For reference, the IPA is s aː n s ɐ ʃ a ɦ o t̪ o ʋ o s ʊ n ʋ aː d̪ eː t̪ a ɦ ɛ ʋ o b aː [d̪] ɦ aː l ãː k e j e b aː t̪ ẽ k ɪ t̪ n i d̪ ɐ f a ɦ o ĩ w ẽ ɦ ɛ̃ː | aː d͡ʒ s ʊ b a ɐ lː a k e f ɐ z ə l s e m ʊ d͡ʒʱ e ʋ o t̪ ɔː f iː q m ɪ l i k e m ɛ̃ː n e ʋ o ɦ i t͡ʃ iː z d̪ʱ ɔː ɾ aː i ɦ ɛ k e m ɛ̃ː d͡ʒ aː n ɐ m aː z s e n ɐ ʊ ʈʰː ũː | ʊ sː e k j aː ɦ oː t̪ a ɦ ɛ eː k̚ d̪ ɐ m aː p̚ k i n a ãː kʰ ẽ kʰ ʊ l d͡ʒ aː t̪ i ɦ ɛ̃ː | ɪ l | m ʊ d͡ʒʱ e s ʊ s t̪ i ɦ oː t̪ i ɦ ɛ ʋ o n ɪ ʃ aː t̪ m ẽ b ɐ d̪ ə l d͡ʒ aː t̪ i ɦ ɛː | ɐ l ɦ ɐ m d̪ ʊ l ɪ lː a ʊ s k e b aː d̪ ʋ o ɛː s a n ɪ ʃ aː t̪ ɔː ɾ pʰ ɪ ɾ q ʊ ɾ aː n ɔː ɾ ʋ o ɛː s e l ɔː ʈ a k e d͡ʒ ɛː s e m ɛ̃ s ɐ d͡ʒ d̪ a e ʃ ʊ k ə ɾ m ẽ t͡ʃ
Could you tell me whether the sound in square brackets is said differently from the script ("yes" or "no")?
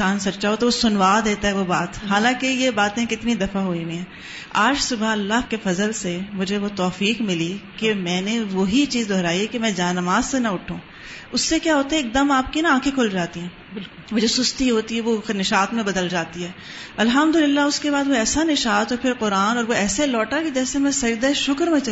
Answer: yes